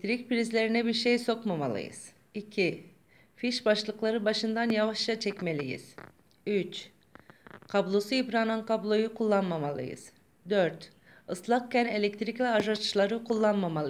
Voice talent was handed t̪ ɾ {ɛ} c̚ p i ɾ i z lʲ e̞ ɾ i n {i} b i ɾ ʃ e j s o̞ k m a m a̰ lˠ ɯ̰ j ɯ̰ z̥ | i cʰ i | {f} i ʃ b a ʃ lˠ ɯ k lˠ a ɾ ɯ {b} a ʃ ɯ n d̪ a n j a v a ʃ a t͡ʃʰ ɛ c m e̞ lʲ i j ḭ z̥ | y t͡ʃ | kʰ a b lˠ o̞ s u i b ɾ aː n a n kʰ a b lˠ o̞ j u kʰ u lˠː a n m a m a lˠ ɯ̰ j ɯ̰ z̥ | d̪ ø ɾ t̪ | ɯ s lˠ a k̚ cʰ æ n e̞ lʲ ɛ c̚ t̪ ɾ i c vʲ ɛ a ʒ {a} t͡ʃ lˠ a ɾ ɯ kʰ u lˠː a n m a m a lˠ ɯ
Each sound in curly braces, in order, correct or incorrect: incorrect, incorrect, correct, correct, correct

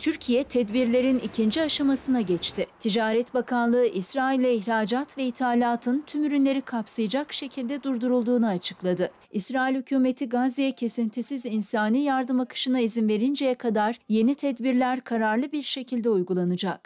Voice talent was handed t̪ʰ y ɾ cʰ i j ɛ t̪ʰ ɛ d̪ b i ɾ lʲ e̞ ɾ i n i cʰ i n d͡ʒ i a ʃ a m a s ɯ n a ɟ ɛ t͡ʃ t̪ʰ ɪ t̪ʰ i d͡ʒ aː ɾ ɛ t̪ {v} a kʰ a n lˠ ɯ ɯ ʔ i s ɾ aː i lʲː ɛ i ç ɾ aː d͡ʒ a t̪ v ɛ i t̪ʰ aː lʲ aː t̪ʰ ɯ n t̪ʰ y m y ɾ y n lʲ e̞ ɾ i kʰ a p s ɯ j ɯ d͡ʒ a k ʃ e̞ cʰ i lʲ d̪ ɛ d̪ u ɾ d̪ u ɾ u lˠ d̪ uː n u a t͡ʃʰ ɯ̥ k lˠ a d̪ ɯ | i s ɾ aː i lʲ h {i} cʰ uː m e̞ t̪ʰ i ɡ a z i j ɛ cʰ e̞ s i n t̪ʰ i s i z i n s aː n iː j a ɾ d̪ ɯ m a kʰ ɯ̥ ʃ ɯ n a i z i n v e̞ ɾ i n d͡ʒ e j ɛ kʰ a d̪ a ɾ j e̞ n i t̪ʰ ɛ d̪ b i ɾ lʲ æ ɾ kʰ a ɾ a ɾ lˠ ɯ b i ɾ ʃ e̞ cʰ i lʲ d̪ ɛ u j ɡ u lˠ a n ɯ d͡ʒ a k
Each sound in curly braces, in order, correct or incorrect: incorrect, incorrect

